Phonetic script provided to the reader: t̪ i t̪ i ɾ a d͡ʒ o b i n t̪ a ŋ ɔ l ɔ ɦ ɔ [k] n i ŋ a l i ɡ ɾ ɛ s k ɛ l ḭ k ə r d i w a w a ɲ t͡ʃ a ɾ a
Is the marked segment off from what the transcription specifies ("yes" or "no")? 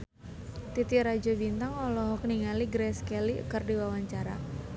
no